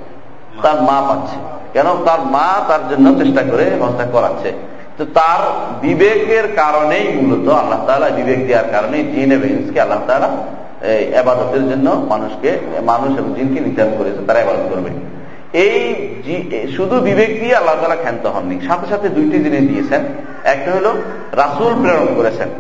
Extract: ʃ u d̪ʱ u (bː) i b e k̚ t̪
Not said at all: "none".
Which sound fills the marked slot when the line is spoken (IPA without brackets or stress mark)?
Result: b